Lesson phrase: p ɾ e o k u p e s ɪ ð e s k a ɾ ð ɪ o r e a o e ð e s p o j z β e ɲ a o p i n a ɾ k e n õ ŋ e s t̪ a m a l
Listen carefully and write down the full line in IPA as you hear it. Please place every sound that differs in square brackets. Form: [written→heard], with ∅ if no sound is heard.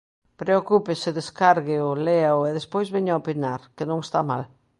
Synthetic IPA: p ɾ e o k u p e s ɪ ð e s k a ɾ [ð→ɣ] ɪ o [r→l] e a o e ð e s p o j z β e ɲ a o p i n a ɾ k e n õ ŋ e s t̪ a m a l